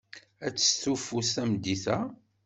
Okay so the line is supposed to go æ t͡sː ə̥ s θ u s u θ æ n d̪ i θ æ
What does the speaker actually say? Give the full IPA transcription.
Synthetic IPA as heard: æ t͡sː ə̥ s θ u f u s æ m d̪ i θ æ